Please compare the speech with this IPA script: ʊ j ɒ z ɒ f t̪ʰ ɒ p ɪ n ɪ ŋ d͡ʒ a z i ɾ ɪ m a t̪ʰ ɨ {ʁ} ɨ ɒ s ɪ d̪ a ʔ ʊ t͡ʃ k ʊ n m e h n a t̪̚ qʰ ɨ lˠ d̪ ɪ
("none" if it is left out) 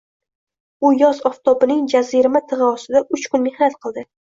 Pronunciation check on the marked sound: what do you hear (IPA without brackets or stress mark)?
ʁ